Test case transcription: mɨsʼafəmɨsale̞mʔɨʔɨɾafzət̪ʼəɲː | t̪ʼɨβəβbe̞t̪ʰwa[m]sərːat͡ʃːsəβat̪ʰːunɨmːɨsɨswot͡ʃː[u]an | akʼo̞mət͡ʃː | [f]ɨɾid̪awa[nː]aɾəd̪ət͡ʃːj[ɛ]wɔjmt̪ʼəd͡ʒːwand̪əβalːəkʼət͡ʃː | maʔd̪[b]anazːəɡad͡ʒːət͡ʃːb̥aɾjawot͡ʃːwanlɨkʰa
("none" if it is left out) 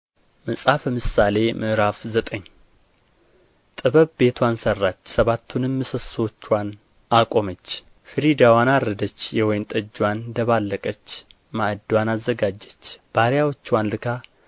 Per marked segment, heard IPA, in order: n, w, f, n, ɛ, w

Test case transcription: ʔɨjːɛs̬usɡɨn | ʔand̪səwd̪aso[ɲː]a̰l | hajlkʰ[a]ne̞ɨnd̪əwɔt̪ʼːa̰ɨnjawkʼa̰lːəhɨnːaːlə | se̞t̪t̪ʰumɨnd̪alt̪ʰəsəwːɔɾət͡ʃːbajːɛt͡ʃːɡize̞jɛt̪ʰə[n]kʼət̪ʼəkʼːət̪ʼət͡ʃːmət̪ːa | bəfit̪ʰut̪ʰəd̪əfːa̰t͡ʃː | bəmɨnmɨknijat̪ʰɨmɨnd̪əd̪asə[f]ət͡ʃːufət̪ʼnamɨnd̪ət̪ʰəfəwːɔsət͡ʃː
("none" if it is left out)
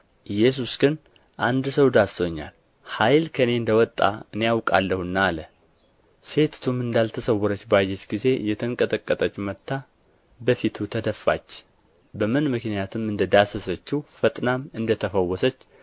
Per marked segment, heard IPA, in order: ɲː, ə, ŋ, s

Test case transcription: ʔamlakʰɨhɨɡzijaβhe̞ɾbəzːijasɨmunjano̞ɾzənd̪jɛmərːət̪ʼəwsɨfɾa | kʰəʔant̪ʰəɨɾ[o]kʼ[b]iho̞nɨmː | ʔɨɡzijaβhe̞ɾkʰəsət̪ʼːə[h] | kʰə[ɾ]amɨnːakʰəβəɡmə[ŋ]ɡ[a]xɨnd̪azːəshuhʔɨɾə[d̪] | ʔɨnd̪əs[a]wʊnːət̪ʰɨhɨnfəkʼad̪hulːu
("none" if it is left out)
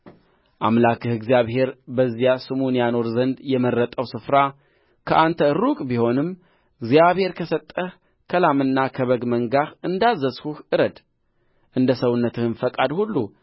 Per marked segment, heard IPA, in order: u, b, h, l, ŋ, a, d̪, ə

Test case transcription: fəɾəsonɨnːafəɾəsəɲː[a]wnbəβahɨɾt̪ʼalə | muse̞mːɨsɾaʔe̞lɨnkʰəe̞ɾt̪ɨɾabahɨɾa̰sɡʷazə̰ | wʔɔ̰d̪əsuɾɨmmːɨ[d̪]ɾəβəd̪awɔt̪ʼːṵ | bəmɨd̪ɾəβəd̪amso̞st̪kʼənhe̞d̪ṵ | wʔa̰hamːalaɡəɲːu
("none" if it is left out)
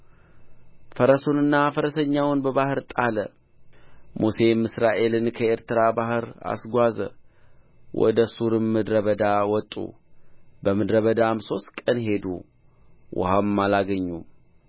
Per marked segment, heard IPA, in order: a, d̪

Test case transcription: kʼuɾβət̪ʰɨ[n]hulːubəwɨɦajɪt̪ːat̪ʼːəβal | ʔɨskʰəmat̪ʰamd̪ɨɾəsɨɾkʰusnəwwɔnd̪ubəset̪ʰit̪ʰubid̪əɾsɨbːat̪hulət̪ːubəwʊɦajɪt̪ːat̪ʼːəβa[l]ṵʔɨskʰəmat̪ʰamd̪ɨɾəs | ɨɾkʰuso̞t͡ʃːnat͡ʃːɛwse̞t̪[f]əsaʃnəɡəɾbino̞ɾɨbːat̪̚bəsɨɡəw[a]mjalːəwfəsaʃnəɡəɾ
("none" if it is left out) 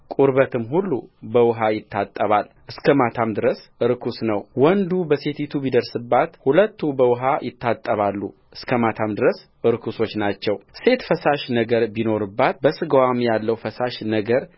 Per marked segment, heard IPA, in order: m, lː, f, a

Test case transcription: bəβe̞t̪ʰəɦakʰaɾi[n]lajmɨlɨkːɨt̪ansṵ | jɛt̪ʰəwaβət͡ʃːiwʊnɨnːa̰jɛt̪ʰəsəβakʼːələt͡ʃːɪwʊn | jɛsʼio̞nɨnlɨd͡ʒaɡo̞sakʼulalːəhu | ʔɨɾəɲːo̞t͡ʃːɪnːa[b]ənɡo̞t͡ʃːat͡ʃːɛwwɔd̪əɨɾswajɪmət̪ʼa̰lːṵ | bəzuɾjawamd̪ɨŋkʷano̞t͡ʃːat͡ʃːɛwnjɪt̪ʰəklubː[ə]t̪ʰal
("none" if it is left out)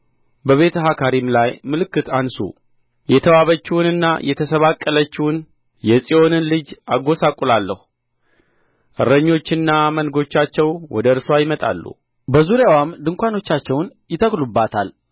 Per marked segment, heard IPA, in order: m, m, a

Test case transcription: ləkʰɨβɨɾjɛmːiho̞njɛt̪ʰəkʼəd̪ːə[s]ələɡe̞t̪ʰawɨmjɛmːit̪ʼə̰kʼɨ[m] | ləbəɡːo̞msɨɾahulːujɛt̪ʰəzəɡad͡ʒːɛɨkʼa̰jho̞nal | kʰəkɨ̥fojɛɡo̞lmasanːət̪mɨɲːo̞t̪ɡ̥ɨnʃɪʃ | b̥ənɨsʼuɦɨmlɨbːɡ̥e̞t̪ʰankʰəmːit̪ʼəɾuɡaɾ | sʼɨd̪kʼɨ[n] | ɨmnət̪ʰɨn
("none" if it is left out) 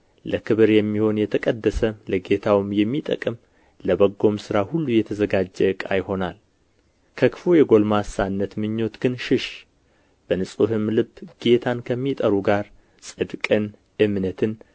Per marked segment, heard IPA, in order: s, m, n

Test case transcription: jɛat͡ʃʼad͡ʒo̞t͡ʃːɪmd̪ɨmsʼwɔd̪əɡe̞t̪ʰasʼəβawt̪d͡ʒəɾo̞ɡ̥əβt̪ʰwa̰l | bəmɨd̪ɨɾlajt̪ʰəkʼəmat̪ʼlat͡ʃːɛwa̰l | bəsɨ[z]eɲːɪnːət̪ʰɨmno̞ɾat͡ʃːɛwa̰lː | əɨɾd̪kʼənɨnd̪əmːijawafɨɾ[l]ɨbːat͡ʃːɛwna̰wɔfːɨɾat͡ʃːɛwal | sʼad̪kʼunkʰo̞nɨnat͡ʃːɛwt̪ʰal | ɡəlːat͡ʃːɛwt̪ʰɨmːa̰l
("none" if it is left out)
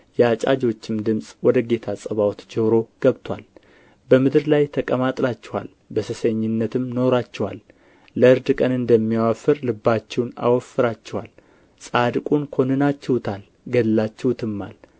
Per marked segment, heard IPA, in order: s, l

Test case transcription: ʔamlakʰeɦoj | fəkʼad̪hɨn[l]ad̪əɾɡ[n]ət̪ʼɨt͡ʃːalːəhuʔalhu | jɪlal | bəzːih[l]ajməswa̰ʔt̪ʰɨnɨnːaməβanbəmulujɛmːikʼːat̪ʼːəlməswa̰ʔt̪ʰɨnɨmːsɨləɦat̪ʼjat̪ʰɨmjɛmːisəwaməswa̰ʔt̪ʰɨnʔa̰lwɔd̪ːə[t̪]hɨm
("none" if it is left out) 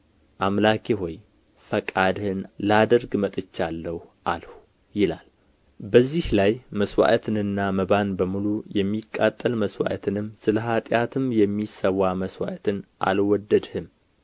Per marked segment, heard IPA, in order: l, m, l, d̪

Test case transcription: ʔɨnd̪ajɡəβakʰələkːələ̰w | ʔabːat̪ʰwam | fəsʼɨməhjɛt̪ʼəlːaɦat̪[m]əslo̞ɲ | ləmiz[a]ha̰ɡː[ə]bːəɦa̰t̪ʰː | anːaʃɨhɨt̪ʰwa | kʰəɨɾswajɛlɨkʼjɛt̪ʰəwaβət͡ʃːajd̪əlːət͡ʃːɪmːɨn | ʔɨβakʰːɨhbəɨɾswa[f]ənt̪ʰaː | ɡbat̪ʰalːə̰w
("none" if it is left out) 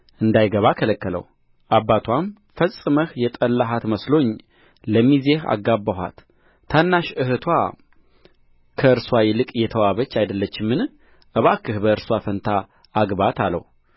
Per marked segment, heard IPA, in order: m, e, a, f

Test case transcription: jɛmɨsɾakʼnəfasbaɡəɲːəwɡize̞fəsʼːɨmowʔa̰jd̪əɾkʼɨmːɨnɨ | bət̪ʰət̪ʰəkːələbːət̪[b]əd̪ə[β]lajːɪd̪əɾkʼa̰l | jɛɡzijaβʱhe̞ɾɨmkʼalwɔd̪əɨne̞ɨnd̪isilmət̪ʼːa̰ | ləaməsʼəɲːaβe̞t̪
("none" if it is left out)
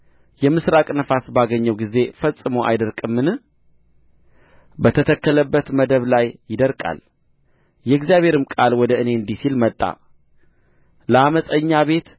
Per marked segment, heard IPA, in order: m, β

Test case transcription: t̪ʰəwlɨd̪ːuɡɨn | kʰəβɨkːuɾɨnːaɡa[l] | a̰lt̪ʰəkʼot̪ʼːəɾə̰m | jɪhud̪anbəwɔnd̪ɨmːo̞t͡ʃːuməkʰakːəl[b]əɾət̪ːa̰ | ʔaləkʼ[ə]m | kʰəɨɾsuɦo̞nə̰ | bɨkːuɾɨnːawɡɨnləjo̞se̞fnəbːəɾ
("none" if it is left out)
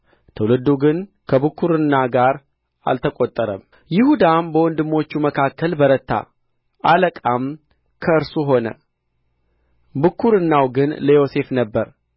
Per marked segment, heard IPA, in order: ɾ, b, a

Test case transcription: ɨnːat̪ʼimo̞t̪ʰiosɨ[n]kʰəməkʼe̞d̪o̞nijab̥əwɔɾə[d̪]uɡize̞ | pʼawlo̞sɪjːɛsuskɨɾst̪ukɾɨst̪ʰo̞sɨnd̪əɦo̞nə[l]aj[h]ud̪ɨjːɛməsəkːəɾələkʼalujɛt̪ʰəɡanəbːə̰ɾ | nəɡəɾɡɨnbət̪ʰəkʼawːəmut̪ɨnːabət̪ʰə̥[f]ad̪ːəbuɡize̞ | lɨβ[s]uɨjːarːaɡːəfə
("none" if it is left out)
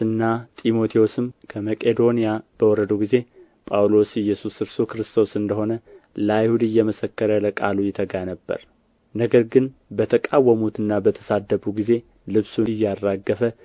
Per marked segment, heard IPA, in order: m, d̪, l, h, s, s

